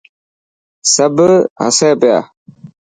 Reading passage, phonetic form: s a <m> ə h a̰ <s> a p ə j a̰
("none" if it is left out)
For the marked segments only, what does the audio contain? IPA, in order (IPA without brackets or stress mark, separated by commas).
b, s